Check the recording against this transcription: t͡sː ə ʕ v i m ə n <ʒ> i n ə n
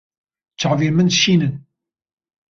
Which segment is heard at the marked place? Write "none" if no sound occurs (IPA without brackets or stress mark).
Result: ʃ